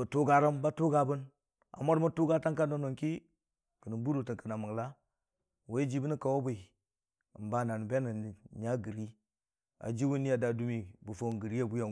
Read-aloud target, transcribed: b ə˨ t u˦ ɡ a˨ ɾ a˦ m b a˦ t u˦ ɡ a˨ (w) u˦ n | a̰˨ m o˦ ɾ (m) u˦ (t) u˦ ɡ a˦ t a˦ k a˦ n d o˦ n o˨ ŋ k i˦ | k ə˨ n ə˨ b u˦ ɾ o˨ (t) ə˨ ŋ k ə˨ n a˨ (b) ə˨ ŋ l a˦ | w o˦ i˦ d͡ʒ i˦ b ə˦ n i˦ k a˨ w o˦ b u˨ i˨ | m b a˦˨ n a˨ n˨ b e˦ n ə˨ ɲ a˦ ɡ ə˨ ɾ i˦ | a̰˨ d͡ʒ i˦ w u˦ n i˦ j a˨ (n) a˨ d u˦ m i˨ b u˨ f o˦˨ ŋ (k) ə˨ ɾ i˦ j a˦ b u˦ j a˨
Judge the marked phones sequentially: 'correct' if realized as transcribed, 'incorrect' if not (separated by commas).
incorrect, correct, correct, correct, incorrect, incorrect, incorrect